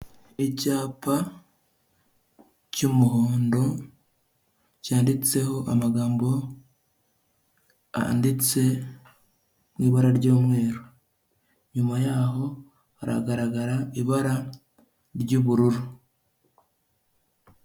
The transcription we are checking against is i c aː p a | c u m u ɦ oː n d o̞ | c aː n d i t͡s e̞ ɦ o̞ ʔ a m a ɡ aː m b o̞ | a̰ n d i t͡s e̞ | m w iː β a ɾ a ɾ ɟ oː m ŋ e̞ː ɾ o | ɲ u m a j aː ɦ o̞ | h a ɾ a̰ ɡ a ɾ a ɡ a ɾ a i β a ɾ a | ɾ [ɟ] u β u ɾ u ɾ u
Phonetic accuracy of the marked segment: correct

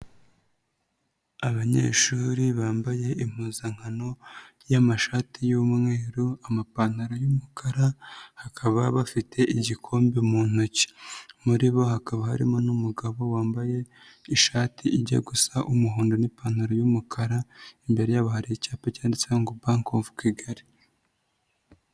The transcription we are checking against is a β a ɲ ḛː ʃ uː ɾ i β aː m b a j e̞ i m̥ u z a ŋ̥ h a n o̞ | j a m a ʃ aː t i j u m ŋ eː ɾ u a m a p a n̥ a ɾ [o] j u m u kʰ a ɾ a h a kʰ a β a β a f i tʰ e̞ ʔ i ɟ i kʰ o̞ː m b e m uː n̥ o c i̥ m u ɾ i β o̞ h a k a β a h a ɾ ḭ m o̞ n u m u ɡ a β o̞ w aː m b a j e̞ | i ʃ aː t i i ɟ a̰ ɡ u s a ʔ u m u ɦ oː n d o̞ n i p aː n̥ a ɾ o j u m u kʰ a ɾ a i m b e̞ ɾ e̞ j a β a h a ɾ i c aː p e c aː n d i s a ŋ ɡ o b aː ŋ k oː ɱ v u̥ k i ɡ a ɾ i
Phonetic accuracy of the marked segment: correct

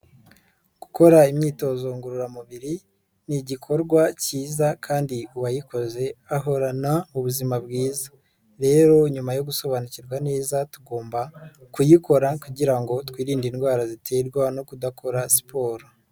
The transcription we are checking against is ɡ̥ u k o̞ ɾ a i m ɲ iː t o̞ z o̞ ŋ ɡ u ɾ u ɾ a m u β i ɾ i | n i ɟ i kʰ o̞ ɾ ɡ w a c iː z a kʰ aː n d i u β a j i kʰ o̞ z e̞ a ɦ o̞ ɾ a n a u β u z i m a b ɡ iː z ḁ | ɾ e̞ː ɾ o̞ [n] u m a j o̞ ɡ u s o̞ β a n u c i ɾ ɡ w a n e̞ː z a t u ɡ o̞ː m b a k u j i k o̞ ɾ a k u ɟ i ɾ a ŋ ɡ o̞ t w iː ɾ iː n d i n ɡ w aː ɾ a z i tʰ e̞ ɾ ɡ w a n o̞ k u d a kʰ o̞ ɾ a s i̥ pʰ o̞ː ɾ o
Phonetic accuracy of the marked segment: incorrect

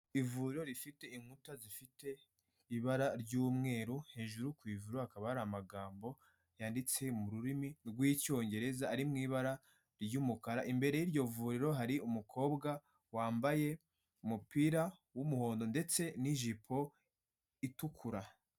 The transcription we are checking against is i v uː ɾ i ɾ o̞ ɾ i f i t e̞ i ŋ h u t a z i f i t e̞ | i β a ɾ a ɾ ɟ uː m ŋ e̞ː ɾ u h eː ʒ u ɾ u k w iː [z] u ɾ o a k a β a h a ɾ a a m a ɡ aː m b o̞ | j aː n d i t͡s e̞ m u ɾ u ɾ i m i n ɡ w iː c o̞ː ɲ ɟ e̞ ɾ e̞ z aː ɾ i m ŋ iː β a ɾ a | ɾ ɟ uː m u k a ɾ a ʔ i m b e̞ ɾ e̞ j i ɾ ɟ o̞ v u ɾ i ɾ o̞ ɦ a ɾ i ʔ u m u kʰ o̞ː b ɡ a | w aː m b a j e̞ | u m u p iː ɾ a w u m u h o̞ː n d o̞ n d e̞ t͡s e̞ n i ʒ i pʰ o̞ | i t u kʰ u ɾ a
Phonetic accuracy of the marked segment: incorrect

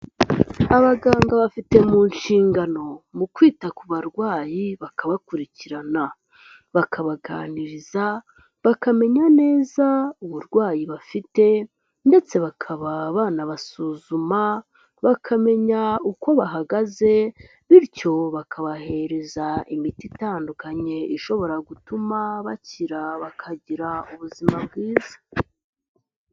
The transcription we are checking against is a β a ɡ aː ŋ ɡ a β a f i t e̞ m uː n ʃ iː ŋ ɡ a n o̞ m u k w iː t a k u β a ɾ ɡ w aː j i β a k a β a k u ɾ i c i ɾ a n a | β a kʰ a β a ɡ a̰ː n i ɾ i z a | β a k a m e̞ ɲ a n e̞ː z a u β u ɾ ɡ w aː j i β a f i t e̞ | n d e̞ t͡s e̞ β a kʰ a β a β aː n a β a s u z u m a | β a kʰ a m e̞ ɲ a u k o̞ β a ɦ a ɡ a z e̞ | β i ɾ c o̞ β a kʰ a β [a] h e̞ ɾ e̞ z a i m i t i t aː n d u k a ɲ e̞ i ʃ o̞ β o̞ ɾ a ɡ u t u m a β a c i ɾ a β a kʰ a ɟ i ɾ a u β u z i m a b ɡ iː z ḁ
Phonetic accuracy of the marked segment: correct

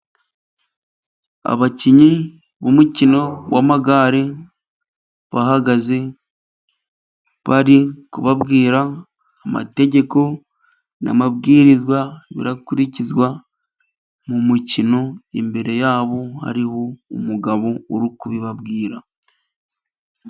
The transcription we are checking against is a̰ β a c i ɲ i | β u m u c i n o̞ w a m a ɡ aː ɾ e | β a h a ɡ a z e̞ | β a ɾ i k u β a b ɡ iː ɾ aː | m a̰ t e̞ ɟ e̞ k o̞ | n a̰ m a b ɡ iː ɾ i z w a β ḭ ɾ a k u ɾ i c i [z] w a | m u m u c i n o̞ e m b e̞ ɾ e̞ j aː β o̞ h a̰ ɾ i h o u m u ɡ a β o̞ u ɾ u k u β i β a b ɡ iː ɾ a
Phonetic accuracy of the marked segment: correct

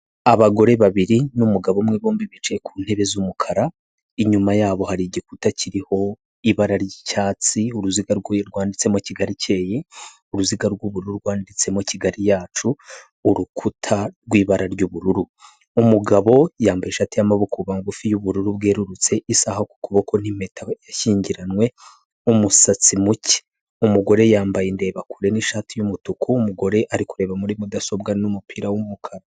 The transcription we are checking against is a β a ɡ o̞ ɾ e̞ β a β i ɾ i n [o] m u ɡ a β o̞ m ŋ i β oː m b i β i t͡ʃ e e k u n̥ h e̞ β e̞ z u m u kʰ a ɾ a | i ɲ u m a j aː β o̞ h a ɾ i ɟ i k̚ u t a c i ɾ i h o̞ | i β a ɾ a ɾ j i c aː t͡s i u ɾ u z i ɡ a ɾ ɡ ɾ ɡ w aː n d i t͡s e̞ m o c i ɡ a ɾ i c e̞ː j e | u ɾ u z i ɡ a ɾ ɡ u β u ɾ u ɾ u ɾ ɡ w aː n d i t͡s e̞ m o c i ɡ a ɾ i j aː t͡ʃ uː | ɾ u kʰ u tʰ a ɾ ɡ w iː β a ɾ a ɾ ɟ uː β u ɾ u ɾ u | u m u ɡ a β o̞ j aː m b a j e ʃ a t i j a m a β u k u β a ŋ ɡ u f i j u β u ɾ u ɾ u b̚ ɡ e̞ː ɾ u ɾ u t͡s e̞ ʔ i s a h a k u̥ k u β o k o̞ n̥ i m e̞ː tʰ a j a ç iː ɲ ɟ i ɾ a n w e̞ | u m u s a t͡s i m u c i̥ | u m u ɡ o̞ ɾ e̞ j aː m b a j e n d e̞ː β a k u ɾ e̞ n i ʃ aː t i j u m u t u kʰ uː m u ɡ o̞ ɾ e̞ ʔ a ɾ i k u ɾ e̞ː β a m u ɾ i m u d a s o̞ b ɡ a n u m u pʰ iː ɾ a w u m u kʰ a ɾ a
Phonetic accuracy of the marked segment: incorrect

